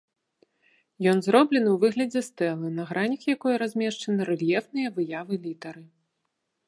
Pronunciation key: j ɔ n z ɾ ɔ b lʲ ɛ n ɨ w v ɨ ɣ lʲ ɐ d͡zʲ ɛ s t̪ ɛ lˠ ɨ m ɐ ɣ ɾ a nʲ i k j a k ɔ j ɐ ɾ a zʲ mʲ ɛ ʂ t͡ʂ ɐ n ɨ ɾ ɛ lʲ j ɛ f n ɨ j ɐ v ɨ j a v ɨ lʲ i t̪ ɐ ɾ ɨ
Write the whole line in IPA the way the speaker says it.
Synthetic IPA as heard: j ɔ n z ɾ ɔ b lʲ ɛ n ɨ w v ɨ ɣ lʲ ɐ d͡zʲ ɛ s t̪ ɛ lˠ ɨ n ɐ ɣ ɾ a nʲ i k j a k ɔ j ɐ ɾ a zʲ mʲ ɛ ʂ t͡ʂ ɐ n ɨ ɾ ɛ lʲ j ɛ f n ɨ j ɐ v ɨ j a v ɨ lʲ i t̪ ɐ ɾ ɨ